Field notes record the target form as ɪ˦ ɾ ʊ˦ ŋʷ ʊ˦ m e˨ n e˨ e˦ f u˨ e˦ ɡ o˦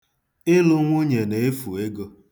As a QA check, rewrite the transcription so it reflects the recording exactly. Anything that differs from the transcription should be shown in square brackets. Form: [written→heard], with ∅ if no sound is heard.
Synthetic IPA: ɪ˦ [ɾ→l] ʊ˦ ŋʷ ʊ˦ [m→ɲ] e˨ n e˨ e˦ f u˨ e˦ ɡ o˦